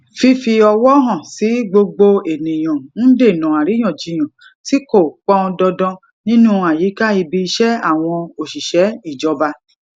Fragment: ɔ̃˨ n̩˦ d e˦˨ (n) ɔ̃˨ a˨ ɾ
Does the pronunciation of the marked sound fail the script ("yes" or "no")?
no